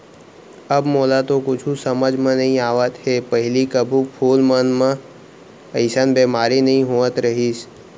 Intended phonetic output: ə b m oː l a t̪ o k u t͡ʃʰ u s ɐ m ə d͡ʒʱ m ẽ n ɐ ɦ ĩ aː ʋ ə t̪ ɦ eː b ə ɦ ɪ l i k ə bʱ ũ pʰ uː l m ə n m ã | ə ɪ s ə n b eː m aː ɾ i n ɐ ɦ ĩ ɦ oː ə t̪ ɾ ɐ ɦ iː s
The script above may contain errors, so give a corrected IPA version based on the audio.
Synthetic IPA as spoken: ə b m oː l a t̪ o k ʊ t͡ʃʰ u s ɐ m ə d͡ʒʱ m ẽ n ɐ ɦ ĩ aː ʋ ə t̪ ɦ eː p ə ɦ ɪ l i k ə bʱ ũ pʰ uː l m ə n m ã | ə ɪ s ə n b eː m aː ɾ i n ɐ ɦ ĩ ɦ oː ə t̪ ɾ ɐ ɦ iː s